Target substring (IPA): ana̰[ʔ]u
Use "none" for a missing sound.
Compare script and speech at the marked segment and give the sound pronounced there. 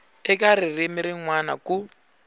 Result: k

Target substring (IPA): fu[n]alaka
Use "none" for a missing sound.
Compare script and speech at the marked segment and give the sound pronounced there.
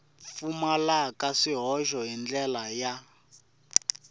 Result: m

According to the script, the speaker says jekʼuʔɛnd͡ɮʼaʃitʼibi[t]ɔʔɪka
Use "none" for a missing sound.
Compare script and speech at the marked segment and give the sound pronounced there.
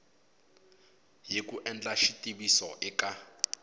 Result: s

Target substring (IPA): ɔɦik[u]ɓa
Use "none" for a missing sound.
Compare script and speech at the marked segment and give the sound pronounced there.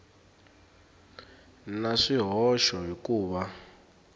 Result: uː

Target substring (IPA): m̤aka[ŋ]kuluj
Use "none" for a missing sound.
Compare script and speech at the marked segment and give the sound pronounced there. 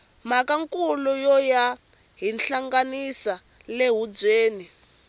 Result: ŋ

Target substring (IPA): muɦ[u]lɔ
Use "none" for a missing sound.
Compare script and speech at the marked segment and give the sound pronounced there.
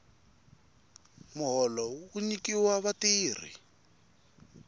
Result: ɔ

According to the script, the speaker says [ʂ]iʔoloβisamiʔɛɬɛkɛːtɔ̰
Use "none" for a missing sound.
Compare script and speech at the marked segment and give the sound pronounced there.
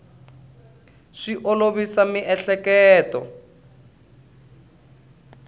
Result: ʂ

